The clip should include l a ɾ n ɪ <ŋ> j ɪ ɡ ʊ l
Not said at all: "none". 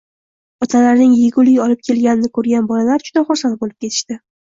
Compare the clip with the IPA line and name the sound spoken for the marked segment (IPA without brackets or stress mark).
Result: ŋ